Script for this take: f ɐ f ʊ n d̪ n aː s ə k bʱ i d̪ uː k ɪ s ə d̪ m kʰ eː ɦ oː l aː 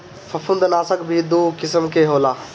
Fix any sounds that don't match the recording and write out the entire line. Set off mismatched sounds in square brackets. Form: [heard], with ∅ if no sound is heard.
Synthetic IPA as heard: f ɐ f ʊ n d̪ n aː s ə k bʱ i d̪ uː k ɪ s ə [∅] m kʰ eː ɦ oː l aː